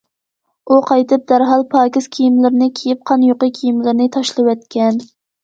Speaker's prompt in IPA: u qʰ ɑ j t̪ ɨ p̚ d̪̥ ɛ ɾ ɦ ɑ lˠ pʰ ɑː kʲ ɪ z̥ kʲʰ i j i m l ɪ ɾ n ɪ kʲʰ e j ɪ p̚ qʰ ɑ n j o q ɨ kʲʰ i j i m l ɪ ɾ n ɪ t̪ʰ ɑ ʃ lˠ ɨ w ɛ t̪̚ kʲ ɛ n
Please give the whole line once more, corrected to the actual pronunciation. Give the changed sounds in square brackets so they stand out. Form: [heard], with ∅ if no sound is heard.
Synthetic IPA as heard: u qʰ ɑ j t̪ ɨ p̚ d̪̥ [æ] ɾ ɦ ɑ lˠ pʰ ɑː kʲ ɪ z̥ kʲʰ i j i m l ɪ ɾ n ɪ kʲʰ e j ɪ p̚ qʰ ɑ n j o q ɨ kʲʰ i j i m l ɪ ɾ n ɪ t̪ʰ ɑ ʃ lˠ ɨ w ɛ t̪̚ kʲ ɛ n